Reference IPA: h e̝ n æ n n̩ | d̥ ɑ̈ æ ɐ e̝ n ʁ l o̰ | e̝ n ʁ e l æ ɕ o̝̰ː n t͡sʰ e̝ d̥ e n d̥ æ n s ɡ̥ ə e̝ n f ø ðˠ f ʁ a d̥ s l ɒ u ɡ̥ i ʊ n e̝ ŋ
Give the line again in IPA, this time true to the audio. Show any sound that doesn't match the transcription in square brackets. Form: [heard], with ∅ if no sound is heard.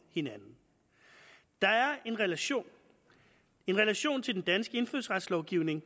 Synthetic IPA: h e̝ n æ n n̩ | d̥ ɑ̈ æ ɐ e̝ n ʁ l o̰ | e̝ n ʁ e l æ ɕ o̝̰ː n t͡sʰ e̝ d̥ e n d̥ æ n s ɡ̥ ə e̝ n f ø ðˠ [s] ʁ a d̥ s l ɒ [ʊ] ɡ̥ i ʊ n e̝ ŋ